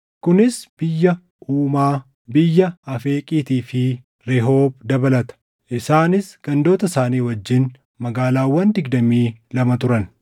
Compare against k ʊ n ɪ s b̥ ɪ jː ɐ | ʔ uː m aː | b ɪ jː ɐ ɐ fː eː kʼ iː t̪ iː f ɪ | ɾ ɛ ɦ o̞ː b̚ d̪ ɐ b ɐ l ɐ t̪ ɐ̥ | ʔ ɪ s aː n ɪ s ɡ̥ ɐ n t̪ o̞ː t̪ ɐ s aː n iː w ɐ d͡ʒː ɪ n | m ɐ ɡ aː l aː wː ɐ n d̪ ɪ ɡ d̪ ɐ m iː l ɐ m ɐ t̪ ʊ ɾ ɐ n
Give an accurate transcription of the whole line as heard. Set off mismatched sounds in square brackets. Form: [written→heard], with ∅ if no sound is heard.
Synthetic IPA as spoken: k ʊ n ɪ s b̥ ɪ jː ɐ | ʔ uː m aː | b ɪ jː ɐ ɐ [fː→f] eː kʼ iː t̪ iː f ɪ | ɾ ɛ ɦ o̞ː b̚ d̪ ɐ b ɐ l ɐ t̪ ɐ̥ | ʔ ɪ s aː n ɪ s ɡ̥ ɐ n [t̪→d̪] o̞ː t̪ ɐ s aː n iː w ɐ d͡ʒː ɪ n | m ɐ ɡ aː l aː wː ɐ n d̪ ɪ ɡ d̪ ɐ m iː l ɐ m ɐ t̪ ʊ ɾ ɐ n

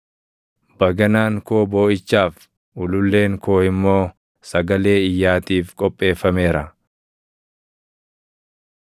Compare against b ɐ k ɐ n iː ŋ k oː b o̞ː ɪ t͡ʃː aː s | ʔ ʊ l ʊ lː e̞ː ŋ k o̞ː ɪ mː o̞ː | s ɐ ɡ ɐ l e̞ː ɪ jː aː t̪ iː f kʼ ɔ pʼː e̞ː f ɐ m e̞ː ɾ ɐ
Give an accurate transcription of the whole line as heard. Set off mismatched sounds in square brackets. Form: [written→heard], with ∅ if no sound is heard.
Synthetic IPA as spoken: b ɐ [k→ɡ] ɐ n [iː→aː] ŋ k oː b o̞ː ɪ t͡ʃː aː [s→f] | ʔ ʊ l ʊ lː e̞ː ŋ k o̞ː ɪ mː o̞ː | s ɐ ɡ ɐ l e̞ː ɪ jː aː t̪ iː f kʼ ɔ pʼː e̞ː f ɐ m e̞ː ɾ ɐ

